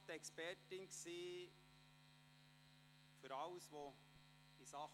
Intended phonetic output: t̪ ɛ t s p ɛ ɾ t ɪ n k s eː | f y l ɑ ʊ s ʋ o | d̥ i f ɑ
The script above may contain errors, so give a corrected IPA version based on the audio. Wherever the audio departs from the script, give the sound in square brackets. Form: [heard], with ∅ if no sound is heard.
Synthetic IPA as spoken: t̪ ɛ [k] s p ɛ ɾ t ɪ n k s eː | f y [ɾ] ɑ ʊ s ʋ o | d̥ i [s] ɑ